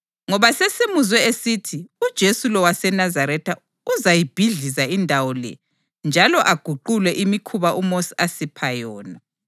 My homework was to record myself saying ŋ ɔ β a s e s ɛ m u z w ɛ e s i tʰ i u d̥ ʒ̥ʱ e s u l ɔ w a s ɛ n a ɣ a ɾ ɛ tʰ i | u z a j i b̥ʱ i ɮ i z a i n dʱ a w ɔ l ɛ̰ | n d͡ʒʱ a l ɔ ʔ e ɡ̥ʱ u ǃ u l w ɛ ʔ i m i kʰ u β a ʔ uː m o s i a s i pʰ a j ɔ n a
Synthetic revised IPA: ŋ ɔ β a s e s i m u z w ɛ e s i tʰ i u d̥ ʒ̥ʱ e s u l ɔ w a s ɛ n a z a ɾ ɛ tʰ a | u z a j i b̥ʱ i ɮ i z a i n dʱ a w ɔ l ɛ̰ | n d͡ʒʱ a l ɔ ʔ a ɡ̥ʱ u ǃ u l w ɛ ʔ i m i kʰ u β a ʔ u m o s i a s i pʰ a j ɔː n a

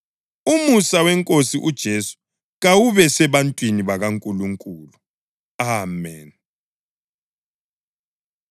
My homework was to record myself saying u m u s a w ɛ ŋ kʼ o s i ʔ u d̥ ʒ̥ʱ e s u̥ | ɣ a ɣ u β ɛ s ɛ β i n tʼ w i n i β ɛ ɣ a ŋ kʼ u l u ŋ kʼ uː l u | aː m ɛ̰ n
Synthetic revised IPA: u m u s a w ɛ ŋ kʼ o s i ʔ u d̥ ʒ̥ʱ e s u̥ | ɣ a w u β ɛ s ɛ β a n tʼ w i n i β a ɣ a ŋ kʼ u l u ŋ kʼ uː l u | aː m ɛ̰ n

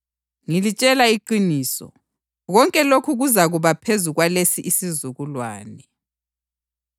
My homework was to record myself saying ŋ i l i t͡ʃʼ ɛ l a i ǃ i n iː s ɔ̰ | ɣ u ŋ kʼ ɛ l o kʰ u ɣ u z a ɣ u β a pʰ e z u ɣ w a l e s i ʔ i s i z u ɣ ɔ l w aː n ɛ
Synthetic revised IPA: ŋ i l i t͡ʃʼ ɛ l a i ǃ i n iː s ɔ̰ | ɣ ɔ ŋ kʼ ɛ l o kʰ u ɣ u z a ɣ u β a pʰ e z u ɣ w a l e s i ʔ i s i z u ɣ u l w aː n ɛ

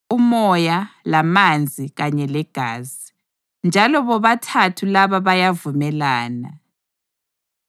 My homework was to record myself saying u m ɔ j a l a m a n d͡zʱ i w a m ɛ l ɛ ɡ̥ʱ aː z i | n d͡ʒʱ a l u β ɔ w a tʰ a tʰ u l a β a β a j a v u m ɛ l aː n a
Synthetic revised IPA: u m ɔ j a l a m a n d͡zʱ i ɣ a ɲ ɛ l ɛ ɡ̥ʱ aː z i | n d͡ʒʱ a l ɔ β ɔ β a tʰ a tʰ u l a β a β a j a v u m ɛ l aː n a

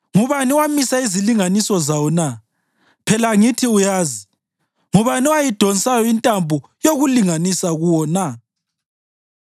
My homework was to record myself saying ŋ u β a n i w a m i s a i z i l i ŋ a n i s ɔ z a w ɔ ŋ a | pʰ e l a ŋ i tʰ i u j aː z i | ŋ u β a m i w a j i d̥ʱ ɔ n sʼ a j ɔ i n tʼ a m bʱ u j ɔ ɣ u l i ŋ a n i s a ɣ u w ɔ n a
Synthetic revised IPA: ŋ u β a n i w a m i s a i z i l i ŋ a n i s ɔ z a w ɔ n a | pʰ ɛ l a ŋ i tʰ i u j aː z i | ŋ u β a n i w a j i d̥ʱ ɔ n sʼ a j ɔ i n tʼ a m bʱ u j o ɣ u l i ŋ a n i s a ɣ u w ɔ n a

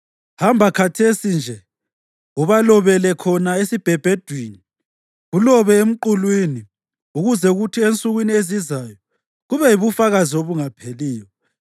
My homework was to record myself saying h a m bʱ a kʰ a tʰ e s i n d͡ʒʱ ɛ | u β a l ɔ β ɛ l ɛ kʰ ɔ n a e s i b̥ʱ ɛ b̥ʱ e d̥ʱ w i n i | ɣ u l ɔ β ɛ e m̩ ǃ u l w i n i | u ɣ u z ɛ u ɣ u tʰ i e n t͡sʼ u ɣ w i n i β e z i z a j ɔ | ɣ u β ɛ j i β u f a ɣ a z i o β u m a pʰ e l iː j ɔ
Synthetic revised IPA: h a m bʱ a kʰ a tʰ e s i n d͡ʒʱ ɛ | u β a l ɔ β ɛ l ɛ kʰ ɔ n a e s i b̥ʱ ɛ b̥ʱ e d̥ʱ w i n i | ɣ u l ɔ β ɛ e m̩ ǃ u l w i n i | u ɣ u z ɛ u ɣ u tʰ i e n t͡sʼ u ɣ w i n i e z i z a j ɔ | ɣ u β ɛ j i β u f a ɣ a z i o β u ŋ a pʰ e l iː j ɔ

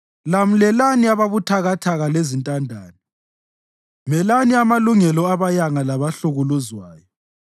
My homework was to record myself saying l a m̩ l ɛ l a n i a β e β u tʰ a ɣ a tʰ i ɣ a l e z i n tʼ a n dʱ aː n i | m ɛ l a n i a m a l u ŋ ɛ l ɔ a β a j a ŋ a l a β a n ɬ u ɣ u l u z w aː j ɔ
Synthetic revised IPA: l a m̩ l ɛ l a n i a β a β u tʰ a ɣ a tʰ a ɣ a l e z i n tʼ a n dʱ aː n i | m ɛ l a n i a m a l u ŋ ɛ l ɔ a β a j a ŋ a l a β a ɬ u ɣ u l u z w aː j ɔ

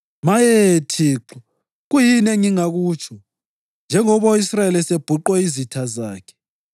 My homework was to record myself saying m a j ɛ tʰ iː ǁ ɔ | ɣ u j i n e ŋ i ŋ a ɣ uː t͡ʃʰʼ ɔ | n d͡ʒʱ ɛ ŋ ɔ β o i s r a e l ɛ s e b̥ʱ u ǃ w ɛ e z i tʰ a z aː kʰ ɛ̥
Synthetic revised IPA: m a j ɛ tʰ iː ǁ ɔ | ɣ u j i n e ŋ i ŋ a ɣ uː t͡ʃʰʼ ɔ | n d͡ʒʱ ɛ ŋ ɔ β o i s r a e l ɛ s e b̥ʱ u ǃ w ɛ i z i tʰ a z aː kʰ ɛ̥

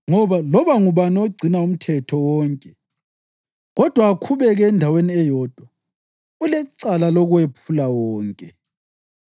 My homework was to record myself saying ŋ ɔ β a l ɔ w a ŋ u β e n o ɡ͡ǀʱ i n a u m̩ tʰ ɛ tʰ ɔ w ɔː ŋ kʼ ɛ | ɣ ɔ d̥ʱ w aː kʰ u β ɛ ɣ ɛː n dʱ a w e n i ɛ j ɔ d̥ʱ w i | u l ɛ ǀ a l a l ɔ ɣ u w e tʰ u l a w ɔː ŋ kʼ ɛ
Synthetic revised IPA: ŋ ɔ β a l ɔ β a ŋ u β a n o ɡ͡ǀʱ i n a u m̩ tʰ ɛ tʰ ɔ w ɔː ŋ kʼ ɛ | ɣ ɔ d̥ʱ w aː kʰ u β ɛ ɣ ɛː n dʱ a w e n i ɛ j ɔ d̥ʱ w a | u l ɛ ǀ a l a l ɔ ɣ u w e pʰ u l a w ɔː ŋ kʼ ɛ

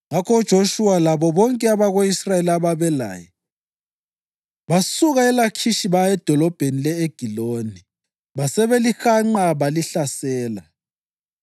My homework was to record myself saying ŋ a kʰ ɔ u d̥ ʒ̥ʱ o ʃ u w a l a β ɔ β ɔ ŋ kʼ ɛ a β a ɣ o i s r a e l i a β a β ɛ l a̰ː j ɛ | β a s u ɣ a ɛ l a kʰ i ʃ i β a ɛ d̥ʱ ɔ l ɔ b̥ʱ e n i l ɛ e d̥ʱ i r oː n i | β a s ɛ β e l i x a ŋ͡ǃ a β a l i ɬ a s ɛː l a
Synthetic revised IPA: ŋ a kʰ ɔ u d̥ ʒ̥ʱ o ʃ u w a l a β ɔ β ɔ ŋ kʼ ɛ a β a ɣ o i s r a e l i a β a β ɛ l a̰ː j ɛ | β a s u ɣ a ɛ l a kʰ i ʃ i β a ɛ d̥ʱ ɔ l ɔ b̥ʱ e n i l ɛ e ɡ̥ʱ i l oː n i | β a s ɛ β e l i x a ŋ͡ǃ a β a l i ɬ a s ɛː l a

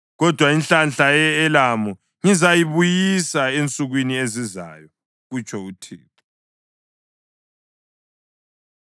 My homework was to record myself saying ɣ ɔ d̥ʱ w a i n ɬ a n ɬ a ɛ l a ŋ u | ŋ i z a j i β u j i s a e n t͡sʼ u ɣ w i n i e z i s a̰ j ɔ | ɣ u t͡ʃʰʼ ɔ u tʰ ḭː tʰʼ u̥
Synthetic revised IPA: ɣ ɔ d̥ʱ w a i n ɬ a n ɬ a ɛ l a m u | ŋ i z a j i β u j i s a e n t͡sʼ u ɣ w i n i e z i z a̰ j ɔ | ɣ u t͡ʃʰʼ ɔ u tʰ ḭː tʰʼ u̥

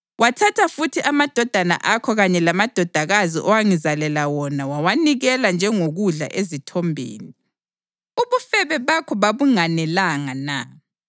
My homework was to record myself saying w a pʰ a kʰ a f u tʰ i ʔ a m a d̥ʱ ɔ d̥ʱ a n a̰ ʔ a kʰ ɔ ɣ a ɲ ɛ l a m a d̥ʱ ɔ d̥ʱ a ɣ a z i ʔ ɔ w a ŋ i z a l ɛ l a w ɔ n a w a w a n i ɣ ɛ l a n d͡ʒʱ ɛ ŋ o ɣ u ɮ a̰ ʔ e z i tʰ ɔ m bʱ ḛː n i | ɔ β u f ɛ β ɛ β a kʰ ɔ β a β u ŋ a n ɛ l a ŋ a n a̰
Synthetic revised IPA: w a tʰ a tʰ a f u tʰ i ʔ a m a d̥ʱ ɔ d̥ʱ a n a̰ ʔ a kʰ ɔ ɣ a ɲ ɛ l a m a d̥ʱ ɔ d̥ʱ a ɣ a z i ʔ ɔ w a ŋ i z a l ɛ l a w ɔ n a w a w a n i ɣ ɛ l a n d͡ʒʱ ɛ ŋ o ɣ u ɮ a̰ ʔ e z i tʰ ɔ m bʱ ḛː n i | u β u f ɛ β ɛ β a kʰ ɔ β a β u ŋ a n ɛ l a ŋ a n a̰

